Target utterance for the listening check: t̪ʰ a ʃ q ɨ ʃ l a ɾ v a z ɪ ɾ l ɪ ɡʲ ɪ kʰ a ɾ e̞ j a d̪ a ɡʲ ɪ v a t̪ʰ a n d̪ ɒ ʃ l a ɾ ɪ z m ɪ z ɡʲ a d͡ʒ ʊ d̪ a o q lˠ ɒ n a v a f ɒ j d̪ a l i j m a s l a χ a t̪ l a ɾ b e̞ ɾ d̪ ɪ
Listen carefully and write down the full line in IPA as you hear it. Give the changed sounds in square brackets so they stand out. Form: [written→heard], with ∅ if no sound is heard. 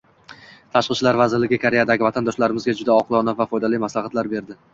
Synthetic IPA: t̪ʰ a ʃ q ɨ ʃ l a ɾ v a z ɪ ɾ l ɪ ɡʲ ɪ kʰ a ɾ e̞ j a d̪ a ɡʲ ɪ v a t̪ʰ a n d̪ ɒ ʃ l a ɾ ɪ [z→∅] m ɪ z ɡʲ a d͡ʒ ʊ d̪ a [o→ɒ] q lˠ ɒ n a v a f ɒ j d̪ a l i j m a s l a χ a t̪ l a ɾ b e̞ ɾ d̪ ɪ